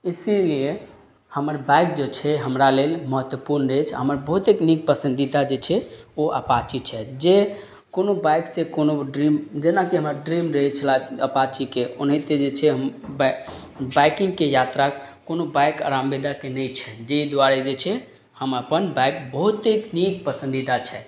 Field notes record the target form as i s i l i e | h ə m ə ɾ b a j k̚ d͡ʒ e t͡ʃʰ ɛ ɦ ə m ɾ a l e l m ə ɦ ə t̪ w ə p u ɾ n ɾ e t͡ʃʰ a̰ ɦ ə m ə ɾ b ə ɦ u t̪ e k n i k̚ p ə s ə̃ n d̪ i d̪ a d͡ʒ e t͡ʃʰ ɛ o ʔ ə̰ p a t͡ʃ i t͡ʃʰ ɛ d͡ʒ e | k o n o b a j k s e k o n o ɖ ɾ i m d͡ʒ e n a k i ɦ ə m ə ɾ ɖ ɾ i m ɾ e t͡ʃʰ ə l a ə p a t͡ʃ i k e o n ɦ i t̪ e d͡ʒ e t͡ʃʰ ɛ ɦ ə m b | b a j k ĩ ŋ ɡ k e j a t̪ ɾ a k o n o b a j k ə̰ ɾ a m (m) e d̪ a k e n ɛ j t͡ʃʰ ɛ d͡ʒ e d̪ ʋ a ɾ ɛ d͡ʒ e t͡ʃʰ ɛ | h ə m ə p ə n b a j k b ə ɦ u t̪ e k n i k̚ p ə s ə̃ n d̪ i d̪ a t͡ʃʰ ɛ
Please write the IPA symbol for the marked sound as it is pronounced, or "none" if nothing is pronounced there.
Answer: b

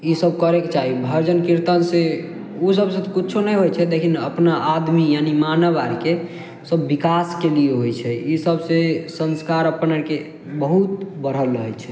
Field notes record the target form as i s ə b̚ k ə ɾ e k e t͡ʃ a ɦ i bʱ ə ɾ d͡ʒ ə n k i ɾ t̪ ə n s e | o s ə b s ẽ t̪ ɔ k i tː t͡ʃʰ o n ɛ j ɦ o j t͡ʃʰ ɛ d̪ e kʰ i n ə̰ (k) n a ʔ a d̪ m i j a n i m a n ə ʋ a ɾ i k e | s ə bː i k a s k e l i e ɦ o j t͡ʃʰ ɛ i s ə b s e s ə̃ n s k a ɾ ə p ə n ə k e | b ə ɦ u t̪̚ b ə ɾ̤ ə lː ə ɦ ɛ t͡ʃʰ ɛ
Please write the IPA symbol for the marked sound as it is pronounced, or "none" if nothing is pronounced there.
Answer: p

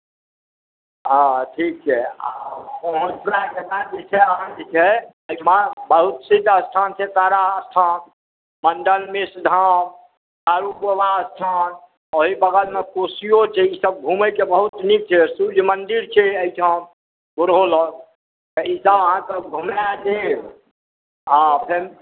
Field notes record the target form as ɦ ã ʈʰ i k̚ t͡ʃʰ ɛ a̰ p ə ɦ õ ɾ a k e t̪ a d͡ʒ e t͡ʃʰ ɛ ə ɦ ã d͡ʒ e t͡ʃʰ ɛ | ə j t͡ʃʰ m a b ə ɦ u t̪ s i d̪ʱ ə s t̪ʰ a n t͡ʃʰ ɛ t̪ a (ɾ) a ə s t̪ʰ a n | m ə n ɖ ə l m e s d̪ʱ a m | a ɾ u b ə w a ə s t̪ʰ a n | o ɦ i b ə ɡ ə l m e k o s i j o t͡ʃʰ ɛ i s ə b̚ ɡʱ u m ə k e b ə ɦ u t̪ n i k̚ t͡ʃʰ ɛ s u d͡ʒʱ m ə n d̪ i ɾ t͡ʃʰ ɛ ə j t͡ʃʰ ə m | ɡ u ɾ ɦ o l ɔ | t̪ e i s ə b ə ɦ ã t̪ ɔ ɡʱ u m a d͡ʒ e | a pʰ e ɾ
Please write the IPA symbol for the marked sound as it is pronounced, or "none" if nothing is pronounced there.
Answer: ɾ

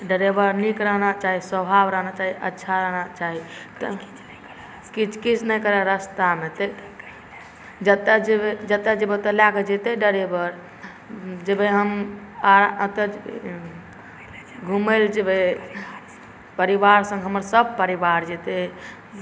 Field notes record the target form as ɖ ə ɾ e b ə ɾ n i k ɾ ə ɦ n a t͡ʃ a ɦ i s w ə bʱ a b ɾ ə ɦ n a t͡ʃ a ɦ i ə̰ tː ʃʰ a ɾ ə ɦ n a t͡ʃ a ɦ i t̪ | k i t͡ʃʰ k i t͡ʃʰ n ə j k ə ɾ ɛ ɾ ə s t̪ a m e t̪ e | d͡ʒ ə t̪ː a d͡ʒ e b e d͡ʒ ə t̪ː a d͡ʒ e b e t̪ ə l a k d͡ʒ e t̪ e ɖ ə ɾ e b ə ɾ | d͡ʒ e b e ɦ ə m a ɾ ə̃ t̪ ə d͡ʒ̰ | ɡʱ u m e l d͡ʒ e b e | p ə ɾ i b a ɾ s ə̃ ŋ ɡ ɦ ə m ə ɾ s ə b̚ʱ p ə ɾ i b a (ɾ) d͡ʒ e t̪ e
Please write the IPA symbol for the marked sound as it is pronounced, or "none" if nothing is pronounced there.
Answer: ɾ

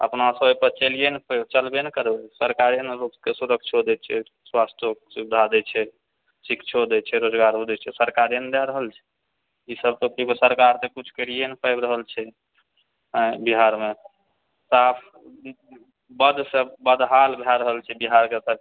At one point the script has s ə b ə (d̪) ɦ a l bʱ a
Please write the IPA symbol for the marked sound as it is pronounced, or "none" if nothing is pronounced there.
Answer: d̪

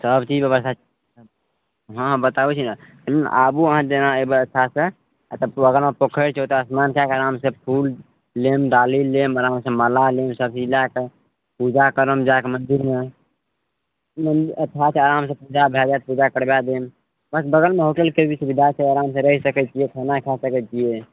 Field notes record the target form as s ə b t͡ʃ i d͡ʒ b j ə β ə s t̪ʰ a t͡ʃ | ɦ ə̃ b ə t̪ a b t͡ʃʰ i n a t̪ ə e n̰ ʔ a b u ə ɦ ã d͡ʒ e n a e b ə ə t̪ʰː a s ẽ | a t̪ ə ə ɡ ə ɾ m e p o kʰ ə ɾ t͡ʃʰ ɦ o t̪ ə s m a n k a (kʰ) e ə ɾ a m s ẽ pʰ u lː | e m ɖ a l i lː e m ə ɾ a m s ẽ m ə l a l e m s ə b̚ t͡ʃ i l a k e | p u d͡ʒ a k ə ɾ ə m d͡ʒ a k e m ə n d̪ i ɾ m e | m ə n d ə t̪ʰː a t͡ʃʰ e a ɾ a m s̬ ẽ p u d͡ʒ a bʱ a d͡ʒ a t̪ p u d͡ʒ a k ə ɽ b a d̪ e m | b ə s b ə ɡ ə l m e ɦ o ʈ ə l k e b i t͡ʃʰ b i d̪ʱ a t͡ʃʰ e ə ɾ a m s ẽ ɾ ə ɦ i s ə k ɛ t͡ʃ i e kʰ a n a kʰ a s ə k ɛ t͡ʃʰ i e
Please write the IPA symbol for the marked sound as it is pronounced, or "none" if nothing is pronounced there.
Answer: k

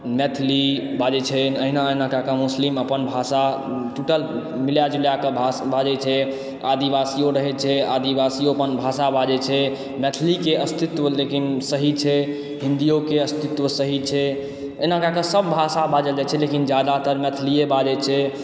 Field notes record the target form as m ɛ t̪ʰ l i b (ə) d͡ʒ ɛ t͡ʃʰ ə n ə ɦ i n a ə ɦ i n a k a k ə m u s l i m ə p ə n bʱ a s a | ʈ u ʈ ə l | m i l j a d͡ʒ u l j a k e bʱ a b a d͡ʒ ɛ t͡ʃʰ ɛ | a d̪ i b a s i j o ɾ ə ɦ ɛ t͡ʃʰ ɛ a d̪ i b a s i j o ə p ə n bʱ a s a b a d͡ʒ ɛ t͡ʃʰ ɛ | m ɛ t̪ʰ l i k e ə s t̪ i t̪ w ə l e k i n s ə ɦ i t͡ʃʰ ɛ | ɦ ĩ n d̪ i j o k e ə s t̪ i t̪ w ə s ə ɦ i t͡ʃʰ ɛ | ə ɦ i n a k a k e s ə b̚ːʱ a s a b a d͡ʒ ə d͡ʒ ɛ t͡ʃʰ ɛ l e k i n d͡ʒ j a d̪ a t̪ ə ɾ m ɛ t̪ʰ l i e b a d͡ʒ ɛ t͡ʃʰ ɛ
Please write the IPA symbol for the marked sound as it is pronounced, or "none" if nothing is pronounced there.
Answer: a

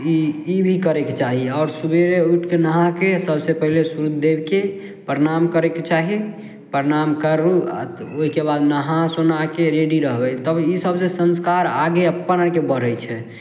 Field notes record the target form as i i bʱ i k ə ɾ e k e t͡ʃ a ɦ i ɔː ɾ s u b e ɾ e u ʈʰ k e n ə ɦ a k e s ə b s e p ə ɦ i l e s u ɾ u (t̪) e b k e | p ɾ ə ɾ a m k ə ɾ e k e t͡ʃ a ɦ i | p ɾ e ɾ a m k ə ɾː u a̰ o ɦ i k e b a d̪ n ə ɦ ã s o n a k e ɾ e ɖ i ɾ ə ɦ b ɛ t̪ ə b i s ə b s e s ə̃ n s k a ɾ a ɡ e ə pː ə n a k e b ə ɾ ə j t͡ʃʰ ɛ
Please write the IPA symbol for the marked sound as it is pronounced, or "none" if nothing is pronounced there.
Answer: d̪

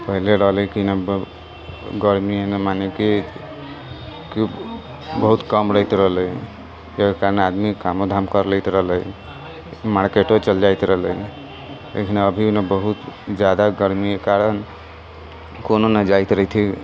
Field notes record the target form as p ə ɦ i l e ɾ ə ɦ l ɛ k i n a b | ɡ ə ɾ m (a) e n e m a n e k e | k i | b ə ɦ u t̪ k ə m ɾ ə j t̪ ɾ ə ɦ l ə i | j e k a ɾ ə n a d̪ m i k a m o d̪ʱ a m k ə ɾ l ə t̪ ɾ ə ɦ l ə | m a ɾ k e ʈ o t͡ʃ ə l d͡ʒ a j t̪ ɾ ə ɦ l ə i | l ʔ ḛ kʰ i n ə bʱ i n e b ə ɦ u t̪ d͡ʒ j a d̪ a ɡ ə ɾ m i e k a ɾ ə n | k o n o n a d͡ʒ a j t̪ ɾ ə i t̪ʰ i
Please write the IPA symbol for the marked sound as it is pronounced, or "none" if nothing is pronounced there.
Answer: i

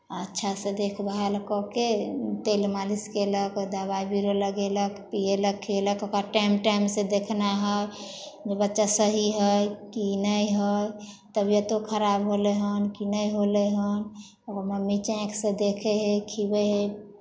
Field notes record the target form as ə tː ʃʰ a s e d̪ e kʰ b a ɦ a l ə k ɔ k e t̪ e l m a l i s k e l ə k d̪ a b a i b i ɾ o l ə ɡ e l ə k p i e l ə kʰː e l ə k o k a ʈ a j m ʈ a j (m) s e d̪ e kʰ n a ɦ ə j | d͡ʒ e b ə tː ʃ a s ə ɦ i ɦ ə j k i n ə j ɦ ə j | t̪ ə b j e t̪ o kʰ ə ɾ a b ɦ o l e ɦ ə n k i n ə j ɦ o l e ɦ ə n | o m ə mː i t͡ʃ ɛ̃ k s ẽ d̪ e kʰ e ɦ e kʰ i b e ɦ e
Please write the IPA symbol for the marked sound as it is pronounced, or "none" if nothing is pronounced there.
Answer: m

